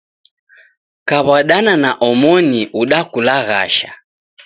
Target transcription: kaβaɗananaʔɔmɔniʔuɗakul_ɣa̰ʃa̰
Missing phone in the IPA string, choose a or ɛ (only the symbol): a